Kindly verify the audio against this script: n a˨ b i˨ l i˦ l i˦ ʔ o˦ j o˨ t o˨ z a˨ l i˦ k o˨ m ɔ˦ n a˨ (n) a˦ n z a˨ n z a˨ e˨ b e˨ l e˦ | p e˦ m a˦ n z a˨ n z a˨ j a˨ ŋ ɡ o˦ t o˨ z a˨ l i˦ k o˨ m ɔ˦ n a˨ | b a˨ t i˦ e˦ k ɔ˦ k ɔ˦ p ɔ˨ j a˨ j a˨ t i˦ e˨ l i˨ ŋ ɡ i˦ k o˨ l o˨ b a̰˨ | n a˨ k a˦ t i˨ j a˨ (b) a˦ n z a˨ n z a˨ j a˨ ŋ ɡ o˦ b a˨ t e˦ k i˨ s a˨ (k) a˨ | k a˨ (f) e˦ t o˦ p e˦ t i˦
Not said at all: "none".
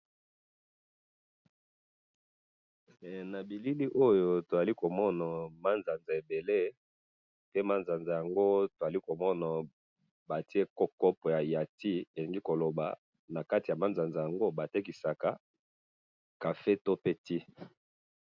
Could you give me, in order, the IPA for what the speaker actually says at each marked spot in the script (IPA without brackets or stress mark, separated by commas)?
m, m, k, f